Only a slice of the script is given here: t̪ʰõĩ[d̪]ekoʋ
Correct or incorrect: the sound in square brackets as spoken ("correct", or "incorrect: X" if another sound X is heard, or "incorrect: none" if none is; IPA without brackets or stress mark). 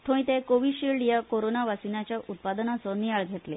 incorrect: t̪